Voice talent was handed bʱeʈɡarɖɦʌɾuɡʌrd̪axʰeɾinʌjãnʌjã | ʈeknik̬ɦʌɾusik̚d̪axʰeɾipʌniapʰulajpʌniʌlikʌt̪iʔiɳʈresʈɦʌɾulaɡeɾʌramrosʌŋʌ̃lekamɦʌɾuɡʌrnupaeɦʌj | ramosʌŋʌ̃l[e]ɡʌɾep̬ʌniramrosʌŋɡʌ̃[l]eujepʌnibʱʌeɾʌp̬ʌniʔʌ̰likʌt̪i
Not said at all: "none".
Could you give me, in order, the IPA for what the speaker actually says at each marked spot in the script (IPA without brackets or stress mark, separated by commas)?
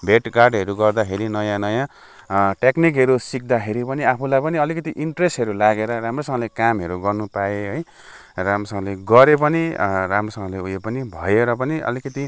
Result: e, l